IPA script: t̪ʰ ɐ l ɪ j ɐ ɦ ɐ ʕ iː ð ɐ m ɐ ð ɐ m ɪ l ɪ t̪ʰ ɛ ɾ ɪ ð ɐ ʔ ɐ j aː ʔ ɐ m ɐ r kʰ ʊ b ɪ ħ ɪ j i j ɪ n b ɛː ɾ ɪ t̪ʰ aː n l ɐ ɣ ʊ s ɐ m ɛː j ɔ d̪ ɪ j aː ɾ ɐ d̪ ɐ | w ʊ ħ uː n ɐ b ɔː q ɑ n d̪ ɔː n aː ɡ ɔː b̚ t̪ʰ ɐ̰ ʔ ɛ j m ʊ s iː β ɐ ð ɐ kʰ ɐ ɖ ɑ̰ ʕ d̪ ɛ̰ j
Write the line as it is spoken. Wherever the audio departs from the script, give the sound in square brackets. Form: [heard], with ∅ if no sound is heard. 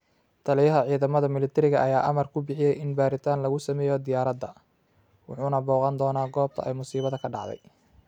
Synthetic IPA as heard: t̪ʰ ɐ l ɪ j ɐ ɦ ɐ ʕ iː ð ɐ m ɐ ð ɐ m ɪ l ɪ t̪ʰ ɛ ɾ ɪ [ɣ] ɐ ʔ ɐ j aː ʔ ɐ m ɐ r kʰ ʊ b ɪ ħ ɪ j [ɛ] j ɪ n b [aː] ɾ ɪ t̪ʰ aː n l ɐ ɣ ʊ s ɐ m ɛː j ɔ d̪ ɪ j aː ɾ ɐ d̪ ɐ | w ʊ ħ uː n ɐ b ɔː q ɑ n d̪ ɔː n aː ɡ ɔː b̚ t̪ʰ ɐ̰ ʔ ɛ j m ʊ s iː β ɐ ð ɐ kʰ ɐ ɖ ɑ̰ ʕ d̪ ɛ̰ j